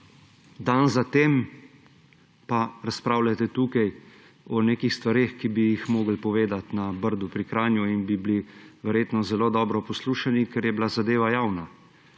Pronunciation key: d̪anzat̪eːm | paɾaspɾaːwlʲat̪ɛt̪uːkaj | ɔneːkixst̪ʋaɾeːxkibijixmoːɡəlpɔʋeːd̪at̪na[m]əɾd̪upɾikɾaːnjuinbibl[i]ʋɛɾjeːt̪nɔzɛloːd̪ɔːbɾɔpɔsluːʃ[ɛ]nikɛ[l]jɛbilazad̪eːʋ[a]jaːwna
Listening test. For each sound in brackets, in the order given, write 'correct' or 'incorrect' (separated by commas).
incorrect, correct, incorrect, incorrect, correct